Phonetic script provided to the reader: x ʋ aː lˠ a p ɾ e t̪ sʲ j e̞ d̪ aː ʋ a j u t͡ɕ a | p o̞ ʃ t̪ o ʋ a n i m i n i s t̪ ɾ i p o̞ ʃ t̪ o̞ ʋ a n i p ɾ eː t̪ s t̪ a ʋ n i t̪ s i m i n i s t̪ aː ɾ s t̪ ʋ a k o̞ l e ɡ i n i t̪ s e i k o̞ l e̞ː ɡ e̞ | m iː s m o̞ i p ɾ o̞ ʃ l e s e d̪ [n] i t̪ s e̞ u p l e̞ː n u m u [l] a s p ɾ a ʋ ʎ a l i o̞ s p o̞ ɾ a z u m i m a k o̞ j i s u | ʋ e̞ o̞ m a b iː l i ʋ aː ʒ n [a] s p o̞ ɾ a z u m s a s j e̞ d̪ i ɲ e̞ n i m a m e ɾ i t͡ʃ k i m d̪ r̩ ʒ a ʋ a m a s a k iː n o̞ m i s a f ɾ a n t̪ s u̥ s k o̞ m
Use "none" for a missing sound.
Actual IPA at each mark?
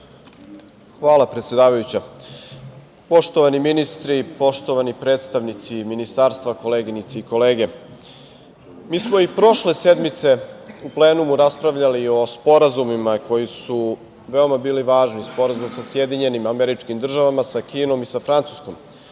m, ɾ, i

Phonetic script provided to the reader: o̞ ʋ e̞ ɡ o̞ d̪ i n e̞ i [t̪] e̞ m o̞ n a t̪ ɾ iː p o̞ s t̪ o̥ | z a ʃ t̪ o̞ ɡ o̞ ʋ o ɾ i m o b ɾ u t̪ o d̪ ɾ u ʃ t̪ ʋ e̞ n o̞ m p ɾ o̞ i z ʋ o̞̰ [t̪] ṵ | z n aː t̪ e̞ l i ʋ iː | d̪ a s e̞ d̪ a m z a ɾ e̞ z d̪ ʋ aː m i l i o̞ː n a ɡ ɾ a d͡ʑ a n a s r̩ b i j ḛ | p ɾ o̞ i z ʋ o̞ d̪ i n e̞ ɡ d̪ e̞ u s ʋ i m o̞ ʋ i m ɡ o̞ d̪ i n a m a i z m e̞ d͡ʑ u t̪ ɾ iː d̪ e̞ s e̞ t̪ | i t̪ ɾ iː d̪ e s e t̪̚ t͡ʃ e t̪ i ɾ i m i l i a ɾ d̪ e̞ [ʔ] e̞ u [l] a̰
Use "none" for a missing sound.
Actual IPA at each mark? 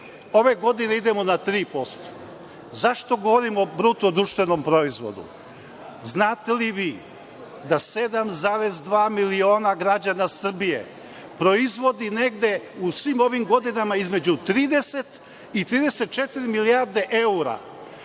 d̪, d̪, ʔ, ɾ

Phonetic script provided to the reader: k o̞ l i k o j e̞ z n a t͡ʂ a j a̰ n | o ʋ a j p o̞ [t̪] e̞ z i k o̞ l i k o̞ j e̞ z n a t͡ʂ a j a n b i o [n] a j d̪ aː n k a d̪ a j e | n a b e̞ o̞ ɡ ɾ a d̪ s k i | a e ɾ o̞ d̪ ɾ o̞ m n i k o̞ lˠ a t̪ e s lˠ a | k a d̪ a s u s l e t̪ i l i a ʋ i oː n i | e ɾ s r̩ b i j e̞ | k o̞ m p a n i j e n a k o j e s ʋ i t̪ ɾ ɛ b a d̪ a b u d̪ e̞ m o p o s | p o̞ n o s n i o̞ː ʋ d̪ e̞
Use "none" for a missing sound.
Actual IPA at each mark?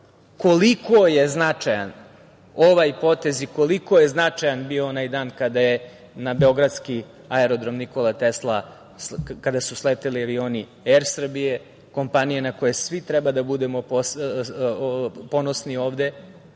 t̪, n

